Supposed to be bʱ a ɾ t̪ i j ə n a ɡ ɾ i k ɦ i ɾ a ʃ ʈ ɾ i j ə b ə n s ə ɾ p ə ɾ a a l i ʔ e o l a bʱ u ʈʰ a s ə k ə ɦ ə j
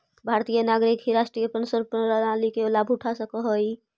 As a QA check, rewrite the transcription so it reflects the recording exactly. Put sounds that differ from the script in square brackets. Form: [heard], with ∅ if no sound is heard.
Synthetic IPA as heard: bʱ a ɾ t̪ i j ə n a ɡ ɾ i k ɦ i ɾ a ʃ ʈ ɾ i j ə [p] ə n s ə ɾ p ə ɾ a a l i [k] e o l a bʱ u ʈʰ a s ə k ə ɦ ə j